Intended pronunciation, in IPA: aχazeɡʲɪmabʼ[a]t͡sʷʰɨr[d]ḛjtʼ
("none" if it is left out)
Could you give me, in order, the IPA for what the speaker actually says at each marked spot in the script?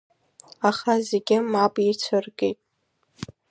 i, ɡ

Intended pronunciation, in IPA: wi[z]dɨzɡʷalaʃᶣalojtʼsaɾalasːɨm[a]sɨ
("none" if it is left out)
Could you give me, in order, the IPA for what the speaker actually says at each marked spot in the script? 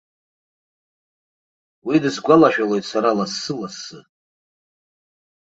none, a

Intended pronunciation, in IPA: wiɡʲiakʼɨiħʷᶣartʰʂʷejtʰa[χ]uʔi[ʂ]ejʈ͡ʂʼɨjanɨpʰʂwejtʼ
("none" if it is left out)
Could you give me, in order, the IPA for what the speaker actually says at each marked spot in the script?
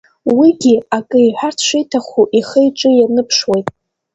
χ, χ

